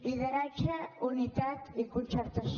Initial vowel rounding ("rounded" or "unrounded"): unrounded